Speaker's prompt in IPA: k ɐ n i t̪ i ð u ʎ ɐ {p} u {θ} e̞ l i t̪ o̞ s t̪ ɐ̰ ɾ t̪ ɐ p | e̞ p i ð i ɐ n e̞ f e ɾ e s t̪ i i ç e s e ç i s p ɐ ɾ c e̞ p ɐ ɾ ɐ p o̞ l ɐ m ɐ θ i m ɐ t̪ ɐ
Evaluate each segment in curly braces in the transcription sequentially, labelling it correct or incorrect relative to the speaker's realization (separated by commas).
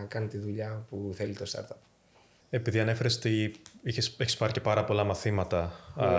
correct, correct